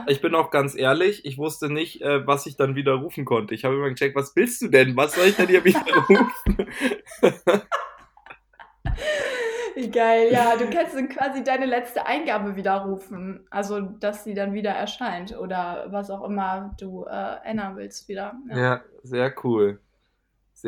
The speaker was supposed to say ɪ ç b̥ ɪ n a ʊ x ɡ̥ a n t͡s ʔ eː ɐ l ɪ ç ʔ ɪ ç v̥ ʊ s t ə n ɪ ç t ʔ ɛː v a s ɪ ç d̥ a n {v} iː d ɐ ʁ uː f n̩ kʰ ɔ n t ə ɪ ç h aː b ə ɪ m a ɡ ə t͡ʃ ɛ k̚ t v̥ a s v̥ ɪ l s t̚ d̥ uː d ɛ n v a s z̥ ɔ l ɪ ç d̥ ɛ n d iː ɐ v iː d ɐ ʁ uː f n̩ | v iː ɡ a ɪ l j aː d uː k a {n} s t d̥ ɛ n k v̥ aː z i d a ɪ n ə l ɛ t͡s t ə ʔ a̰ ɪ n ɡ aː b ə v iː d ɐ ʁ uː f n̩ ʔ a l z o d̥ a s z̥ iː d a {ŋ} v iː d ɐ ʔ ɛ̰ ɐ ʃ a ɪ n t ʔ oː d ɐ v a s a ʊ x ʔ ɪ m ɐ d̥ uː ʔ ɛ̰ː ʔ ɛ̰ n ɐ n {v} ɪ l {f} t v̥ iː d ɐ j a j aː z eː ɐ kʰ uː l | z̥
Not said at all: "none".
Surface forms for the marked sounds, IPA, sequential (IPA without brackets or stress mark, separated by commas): v, n, n, v, s